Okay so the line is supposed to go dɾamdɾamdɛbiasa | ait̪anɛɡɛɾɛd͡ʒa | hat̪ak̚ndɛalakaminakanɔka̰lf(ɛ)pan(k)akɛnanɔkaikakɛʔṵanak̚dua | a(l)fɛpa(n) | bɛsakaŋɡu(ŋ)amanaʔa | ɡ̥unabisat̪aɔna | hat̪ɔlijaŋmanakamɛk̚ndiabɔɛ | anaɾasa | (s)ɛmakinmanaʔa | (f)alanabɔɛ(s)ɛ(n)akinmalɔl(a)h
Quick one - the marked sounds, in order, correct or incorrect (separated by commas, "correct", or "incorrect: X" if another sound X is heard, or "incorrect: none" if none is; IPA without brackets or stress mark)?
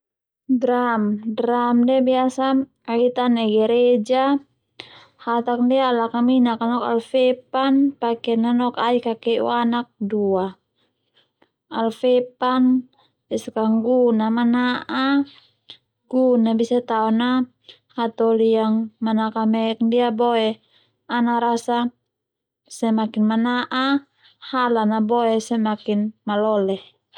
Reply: correct, incorrect: p, correct, correct, incorrect: n, correct, incorrect: h, correct, incorrect: m, incorrect: ɛ